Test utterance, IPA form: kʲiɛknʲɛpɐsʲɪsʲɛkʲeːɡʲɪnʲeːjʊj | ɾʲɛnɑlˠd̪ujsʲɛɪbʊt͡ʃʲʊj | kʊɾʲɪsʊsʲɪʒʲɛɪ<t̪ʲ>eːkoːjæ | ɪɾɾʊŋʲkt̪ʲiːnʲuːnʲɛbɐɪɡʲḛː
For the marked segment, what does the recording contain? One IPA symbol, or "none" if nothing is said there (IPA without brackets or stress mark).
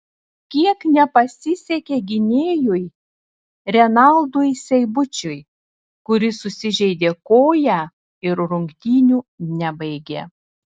d̪ʲ